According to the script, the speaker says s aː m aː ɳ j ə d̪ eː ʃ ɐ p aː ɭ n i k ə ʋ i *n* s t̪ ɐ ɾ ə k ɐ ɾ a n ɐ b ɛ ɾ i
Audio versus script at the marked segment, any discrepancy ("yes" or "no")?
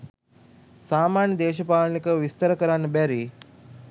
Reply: yes